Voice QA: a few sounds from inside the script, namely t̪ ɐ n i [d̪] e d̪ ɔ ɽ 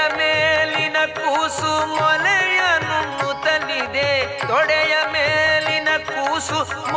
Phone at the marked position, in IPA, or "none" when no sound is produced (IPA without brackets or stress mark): d̪